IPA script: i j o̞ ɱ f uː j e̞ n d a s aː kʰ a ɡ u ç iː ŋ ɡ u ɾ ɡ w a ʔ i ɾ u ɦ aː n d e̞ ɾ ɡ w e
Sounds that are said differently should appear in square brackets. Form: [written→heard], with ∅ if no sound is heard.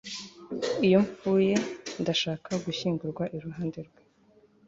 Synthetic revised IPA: i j o̞ ɱ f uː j e̞ n d a [s→ʃ] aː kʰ a ɡ u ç iː ŋ ɡ u ɾ ɡ w a ʔ i ɾ u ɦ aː n d e̞ ɾ ɡ w e